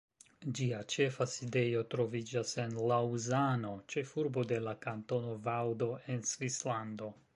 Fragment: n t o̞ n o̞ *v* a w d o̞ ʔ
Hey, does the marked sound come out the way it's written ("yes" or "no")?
yes